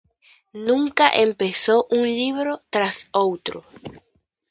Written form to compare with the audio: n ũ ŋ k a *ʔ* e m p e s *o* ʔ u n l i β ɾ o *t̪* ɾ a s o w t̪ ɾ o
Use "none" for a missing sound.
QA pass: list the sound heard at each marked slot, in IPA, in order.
ʔ, o, t̪

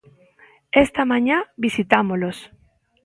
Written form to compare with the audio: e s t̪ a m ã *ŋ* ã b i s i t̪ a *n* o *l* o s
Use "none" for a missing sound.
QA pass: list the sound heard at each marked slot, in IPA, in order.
ɲ, m, l

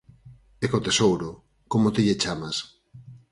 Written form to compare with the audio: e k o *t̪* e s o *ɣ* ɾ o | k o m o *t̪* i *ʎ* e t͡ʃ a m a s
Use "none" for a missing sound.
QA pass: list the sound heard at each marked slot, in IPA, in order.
t̪, w, t̪, ʎ

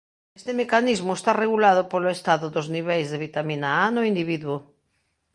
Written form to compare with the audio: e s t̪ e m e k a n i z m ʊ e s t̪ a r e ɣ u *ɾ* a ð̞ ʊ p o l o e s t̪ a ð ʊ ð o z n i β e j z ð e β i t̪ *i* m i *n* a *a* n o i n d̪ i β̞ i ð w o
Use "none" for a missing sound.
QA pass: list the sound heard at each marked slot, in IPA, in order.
l, a, n, a

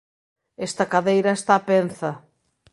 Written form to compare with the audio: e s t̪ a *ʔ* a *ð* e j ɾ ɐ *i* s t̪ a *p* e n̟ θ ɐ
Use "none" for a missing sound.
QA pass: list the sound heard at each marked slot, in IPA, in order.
k, ð, e, p

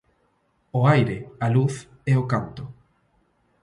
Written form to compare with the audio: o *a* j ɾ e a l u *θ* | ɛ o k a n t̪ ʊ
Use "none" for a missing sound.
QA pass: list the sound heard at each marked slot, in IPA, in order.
a, θ

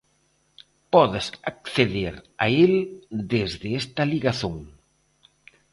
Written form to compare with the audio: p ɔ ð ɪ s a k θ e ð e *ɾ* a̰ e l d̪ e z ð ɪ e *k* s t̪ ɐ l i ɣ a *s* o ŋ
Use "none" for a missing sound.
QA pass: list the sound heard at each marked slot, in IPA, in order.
ɾ, none, θ

